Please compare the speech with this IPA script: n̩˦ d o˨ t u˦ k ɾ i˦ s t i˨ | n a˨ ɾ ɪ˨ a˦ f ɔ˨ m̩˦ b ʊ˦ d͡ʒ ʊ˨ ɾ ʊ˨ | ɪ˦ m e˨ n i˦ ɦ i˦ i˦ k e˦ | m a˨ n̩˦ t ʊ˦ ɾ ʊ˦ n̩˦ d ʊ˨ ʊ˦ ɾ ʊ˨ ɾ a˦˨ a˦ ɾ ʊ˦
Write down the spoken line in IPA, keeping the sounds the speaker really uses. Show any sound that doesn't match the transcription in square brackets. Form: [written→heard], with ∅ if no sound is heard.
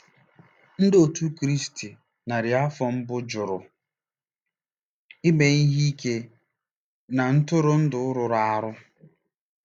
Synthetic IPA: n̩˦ d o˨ t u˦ k ɾ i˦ s t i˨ | n a˨ ɾ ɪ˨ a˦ f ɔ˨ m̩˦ b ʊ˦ d͡ʒ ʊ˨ ɾ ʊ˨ | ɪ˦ m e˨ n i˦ ɦ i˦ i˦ k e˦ | [m→n] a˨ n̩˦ t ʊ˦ ɾ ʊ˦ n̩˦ d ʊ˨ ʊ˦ ɾ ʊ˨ ɾ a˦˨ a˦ ɾ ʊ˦